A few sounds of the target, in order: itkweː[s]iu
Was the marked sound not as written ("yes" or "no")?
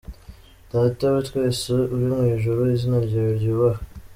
no